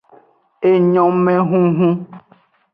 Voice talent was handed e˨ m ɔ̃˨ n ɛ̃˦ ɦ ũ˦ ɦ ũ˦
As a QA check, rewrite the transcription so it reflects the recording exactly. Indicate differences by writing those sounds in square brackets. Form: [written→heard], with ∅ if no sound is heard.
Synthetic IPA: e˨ [m→ɲ] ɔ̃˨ [n→m] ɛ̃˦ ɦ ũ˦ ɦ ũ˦